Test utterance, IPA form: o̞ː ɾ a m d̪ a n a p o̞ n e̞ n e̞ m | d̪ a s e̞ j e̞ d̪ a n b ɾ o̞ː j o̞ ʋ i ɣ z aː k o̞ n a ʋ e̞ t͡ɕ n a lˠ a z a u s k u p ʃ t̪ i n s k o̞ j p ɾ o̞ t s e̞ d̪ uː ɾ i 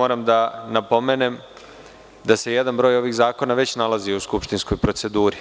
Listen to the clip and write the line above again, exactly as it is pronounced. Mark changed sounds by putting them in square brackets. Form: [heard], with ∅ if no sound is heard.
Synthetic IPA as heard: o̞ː ɾ a m d̪ a n a p o̞ [m] e̞ n e̞ m | d̪ a s e̞ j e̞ d̪ a n b ɾ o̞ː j o̞ ʋ i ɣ z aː k o̞ n a ʋ e̞ t͡ɕ n a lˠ a z [i] u s k u p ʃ t̪ i n s k o̞ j p ɾ o̞ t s e̞ d̪ uː ɾ i

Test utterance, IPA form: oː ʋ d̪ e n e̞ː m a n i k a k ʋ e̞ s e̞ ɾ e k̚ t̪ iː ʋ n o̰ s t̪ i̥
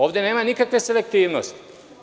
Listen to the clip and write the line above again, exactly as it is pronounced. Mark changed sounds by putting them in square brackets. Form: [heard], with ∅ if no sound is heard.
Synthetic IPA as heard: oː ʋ d̪ e n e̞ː m a n i k a k ʋ e̞ s e̞ [l] e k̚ t̪ iː ʋ n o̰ s t̪ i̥

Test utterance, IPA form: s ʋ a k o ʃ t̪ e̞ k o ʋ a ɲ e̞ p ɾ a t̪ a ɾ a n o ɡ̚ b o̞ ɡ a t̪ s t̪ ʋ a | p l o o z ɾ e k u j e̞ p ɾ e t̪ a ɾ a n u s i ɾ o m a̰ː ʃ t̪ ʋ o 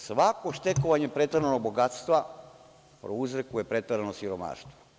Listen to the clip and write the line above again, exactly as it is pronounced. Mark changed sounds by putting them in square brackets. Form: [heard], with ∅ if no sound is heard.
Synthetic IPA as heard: s ʋ a k o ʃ t̪ e̞ k o ʋ a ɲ e̞ p ɾ [e] t̪ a ɾ a n o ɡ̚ b o̞ ɡ a t̪ s t̪ ʋ a | p [ɾ] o [u] z ɾ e k u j e̞ p ɾ e t̪ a ɾ a n [o] s i ɾ o m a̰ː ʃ t̪ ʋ o

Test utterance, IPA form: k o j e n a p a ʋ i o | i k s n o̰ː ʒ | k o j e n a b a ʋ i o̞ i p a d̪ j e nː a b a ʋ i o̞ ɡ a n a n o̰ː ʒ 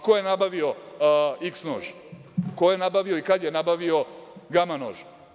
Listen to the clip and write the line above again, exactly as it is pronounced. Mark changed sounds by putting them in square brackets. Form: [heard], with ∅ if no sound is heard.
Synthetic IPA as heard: k o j e n a [b] a ʋ i o | i k s n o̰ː ʒ | k o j e n a b a ʋ i o̞ i [k] a d̪ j e [n] a b a ʋ i o̞ ɡ a [m] a n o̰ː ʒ

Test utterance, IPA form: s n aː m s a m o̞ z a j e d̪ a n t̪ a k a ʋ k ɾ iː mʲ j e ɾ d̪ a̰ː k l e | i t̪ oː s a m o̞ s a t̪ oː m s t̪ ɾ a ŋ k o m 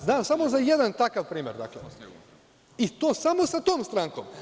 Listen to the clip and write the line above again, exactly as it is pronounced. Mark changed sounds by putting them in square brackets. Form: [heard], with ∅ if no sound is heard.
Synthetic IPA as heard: [z] n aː m s a m o̞ z a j e d̪ a n t̪ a k a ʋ [p] ɾ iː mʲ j e ɾ d̪ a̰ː k l e | i t̪ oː s a m o̞ s a t̪ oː m s t̪ ɾ a ŋ k o m

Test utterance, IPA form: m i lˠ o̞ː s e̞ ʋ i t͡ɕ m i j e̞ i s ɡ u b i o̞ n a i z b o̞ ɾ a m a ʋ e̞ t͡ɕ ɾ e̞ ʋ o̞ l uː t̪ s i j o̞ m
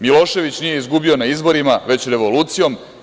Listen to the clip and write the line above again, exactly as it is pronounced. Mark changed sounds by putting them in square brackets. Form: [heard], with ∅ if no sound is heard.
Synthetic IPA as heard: m i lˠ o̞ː [ʃ] e̞ ʋ i t͡ɕ [n] i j e̞ i [z] ɡ u b i o̞ n a i z b o̞ ɾ [i] m a ʋ e̞ t͡ɕ ɾ e̞ ʋ o̞ l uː t̪ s i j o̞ m

